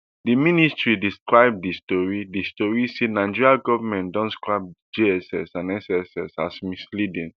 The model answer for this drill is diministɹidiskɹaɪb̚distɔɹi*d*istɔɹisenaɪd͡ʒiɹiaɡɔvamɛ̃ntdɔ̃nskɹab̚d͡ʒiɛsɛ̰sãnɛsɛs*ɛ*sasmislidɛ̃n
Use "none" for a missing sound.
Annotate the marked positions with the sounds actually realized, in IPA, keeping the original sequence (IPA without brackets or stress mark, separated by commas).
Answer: d, ɛ